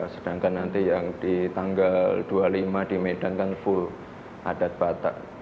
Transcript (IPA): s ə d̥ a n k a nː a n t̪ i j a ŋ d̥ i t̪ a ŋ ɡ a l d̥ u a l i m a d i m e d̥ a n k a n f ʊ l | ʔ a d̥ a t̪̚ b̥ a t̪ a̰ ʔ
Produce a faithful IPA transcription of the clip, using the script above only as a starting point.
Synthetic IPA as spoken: s ə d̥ a ŋ k a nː a n t̪ i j a ŋ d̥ i t̪ a ŋ ɡ a l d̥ u a l i m a d i m e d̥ a n k a n f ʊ l | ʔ a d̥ a t̪̚ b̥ a t̪ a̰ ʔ